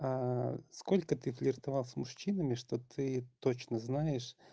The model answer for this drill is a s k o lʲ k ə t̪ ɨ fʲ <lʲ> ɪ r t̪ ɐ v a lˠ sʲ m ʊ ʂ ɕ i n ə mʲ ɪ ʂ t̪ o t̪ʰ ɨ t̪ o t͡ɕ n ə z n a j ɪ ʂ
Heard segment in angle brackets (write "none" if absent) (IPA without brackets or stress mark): lʲ